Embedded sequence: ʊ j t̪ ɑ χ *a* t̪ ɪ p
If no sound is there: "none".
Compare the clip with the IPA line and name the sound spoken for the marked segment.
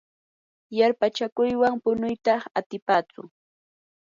a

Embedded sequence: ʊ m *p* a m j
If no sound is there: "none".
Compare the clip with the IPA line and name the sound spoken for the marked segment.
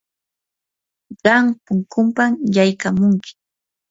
p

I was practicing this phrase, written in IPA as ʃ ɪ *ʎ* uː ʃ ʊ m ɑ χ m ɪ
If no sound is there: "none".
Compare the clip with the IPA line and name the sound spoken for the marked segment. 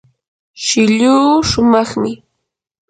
ʎ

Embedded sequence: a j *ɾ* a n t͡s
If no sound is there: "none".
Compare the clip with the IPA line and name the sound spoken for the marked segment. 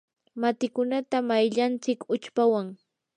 ʎ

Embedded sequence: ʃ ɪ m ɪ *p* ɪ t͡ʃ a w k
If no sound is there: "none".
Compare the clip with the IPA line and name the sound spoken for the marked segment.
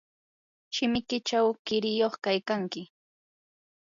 k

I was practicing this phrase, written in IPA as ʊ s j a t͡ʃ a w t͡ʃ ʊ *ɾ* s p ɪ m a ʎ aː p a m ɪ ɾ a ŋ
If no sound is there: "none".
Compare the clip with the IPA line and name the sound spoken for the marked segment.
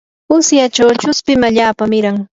none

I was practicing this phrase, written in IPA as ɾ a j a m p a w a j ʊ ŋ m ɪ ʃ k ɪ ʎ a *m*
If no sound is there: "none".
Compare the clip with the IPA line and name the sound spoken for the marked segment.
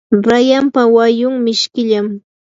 m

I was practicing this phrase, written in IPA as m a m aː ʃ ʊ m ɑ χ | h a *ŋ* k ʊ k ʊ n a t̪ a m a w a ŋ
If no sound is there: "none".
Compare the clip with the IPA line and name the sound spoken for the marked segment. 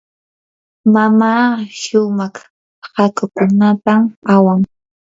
none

